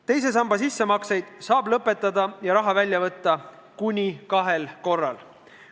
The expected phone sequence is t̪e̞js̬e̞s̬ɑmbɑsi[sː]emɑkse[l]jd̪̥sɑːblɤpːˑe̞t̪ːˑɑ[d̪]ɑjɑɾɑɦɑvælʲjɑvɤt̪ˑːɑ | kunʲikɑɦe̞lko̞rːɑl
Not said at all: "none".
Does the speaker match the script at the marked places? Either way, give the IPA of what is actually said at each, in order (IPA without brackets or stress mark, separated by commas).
sː, none, d̪